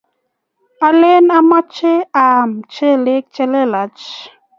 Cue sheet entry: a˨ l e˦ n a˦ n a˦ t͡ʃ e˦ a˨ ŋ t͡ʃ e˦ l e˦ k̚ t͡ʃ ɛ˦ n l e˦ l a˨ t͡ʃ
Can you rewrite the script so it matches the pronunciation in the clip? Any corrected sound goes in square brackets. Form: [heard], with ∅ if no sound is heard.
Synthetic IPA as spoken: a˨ l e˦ n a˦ [m] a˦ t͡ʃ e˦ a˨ [m] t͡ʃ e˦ l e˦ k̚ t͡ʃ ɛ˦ [∅] l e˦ l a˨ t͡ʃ

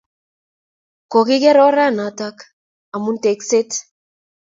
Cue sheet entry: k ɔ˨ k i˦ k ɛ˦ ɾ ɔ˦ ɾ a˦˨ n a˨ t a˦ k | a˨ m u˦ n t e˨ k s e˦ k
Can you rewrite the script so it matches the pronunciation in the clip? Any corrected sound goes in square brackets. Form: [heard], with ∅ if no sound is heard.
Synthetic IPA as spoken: k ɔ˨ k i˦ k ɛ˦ ɾ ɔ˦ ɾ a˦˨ n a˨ t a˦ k | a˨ m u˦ n t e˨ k s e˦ [t]

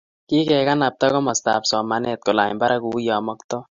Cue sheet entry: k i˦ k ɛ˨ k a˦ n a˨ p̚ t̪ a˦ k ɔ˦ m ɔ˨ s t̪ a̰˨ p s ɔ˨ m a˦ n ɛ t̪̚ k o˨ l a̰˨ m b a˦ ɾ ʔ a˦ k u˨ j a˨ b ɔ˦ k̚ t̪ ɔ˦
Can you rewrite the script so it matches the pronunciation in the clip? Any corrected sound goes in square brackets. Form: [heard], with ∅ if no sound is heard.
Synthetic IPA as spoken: k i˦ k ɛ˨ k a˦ n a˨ p̚ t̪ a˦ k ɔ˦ m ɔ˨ s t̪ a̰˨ p s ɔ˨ m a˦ n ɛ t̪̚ k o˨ l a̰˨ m b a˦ ɾ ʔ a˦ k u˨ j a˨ [m] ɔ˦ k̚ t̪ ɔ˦

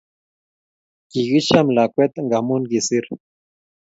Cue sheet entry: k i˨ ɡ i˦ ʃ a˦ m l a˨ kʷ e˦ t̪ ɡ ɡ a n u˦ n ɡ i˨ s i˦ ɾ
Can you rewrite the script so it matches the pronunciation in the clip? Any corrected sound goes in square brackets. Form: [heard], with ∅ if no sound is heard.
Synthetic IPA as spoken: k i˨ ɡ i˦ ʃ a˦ m l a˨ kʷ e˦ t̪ [ŋ] ɡ a [m] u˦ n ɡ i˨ s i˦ ɾ

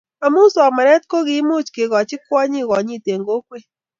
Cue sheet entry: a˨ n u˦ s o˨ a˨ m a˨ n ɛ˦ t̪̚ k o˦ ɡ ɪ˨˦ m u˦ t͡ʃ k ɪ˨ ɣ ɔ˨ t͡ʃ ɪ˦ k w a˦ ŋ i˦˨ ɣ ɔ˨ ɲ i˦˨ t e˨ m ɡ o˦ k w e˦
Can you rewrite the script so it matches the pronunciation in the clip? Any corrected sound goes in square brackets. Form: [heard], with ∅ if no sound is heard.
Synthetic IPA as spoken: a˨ [m] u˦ s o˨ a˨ m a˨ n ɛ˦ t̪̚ k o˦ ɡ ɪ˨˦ m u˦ t͡ʃ k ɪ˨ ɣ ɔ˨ t͡ʃ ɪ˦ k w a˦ [ɲ] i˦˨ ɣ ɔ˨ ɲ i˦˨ t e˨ [ŋ] ɡ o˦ k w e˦

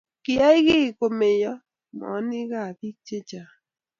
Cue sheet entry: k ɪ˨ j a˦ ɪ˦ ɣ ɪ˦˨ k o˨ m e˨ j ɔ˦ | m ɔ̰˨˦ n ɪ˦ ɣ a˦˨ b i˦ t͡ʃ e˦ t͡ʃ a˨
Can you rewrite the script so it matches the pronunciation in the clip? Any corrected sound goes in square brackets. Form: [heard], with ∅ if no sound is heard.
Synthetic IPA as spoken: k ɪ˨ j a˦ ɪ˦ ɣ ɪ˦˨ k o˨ m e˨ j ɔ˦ | m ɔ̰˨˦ n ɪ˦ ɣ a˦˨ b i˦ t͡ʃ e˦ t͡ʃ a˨

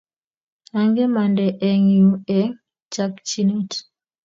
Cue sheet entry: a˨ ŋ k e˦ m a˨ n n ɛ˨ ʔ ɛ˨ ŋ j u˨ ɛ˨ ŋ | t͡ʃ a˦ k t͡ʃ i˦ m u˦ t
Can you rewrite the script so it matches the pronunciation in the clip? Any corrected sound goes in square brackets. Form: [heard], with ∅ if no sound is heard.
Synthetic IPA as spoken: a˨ ŋ [ɡ] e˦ m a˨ n [d] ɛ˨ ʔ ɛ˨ ŋ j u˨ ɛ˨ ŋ | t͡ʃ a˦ k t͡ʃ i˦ [n] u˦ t

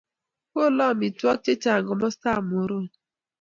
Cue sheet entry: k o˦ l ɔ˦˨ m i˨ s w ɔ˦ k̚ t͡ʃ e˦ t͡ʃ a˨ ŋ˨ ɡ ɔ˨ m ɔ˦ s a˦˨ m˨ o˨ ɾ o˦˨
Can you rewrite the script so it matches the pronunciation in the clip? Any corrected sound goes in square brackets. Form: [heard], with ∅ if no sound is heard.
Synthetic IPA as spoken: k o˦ l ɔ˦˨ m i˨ [t] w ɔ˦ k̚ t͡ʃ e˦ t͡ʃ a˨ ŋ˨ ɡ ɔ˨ m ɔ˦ s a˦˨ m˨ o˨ ɾ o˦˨

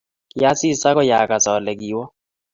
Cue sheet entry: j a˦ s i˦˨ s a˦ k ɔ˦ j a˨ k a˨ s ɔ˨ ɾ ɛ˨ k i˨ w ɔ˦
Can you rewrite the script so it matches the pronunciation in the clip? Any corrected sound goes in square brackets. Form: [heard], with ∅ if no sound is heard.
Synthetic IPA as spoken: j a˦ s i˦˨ s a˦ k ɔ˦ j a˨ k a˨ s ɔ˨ [l] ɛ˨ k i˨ w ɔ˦

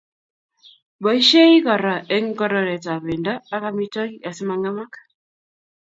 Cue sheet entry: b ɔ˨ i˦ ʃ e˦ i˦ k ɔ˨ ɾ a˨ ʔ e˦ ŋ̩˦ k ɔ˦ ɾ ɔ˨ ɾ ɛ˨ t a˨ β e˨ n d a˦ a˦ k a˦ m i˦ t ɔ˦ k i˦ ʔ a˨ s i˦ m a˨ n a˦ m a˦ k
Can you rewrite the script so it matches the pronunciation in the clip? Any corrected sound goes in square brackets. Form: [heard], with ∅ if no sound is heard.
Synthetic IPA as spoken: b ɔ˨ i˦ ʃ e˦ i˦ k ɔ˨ ɾ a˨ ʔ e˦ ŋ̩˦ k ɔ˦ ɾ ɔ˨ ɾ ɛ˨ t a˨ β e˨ n d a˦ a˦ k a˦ m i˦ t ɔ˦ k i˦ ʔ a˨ s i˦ m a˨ [ŋ] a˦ m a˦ k

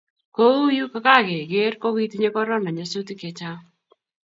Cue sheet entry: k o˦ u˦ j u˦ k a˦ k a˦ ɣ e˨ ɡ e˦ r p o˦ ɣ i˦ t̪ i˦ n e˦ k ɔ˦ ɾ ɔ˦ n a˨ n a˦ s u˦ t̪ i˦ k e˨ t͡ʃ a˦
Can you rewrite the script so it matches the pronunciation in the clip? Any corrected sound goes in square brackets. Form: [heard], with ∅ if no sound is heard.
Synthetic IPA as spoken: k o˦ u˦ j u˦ k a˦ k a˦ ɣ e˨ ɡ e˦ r [k] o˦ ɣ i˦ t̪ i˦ [ɲ] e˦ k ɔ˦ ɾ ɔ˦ n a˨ [ɲ] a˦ s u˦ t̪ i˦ k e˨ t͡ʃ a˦

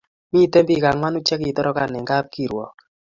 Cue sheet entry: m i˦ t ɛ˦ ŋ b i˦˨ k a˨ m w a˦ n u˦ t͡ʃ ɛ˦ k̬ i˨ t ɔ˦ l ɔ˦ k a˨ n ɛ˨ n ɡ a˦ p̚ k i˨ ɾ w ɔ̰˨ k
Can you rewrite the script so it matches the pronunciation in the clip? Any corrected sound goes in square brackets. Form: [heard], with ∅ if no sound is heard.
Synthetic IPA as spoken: m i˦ t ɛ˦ [m] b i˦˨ k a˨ [ŋ] w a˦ n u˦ t͡ʃ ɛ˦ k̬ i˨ t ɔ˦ [ɾ] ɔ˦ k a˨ n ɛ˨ [ŋ] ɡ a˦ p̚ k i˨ ɾ w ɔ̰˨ k

